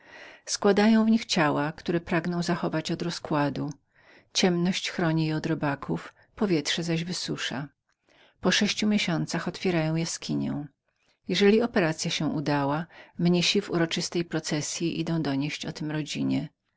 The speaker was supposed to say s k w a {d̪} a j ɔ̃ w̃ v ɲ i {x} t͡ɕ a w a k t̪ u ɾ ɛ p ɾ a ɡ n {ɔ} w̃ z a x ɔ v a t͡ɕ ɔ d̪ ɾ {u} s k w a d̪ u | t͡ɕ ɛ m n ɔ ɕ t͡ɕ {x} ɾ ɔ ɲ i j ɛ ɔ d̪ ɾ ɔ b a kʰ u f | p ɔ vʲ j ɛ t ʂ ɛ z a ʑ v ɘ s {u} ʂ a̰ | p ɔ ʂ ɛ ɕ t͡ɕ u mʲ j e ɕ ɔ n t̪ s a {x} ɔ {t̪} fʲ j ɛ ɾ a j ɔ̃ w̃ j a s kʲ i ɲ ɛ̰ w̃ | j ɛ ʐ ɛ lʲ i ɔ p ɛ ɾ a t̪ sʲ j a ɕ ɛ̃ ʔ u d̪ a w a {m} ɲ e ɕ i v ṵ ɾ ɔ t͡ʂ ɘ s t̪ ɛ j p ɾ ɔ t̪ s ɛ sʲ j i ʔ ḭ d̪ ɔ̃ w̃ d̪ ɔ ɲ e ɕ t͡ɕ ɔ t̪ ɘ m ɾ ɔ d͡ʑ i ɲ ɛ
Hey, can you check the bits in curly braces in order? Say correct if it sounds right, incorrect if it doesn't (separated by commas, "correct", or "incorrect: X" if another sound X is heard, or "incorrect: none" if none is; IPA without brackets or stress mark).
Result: correct, correct, incorrect: ɔ̃, incorrect: ɔ, correct, correct, correct, correct, correct